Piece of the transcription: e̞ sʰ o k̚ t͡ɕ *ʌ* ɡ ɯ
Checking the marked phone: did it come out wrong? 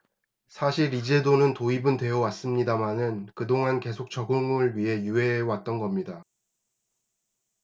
no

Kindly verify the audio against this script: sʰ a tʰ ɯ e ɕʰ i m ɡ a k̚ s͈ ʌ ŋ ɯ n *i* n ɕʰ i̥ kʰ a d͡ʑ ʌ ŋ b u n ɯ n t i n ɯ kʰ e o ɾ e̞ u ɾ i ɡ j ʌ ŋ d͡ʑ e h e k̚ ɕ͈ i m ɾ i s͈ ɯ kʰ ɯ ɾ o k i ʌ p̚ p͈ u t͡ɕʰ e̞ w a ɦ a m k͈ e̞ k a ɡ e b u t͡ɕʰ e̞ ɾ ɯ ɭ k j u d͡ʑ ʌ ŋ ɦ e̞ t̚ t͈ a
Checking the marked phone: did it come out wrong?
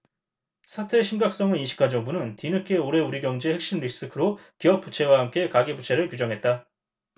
no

